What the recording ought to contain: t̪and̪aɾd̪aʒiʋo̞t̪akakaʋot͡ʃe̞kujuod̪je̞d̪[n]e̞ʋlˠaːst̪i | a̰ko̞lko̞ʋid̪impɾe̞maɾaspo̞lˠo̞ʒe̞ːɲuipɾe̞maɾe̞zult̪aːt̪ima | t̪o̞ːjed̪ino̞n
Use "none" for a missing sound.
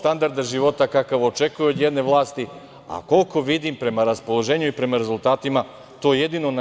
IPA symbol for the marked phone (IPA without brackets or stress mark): n